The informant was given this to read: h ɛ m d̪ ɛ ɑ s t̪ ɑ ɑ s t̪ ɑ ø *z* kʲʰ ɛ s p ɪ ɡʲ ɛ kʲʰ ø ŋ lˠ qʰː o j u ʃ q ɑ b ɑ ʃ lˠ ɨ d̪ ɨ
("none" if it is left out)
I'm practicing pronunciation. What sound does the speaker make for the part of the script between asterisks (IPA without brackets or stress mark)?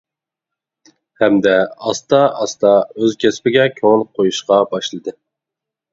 z